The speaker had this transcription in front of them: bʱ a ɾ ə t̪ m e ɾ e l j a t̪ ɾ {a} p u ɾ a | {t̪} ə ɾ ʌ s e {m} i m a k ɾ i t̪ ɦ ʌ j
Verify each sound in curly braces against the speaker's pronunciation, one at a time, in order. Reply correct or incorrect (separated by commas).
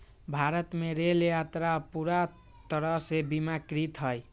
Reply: correct, correct, incorrect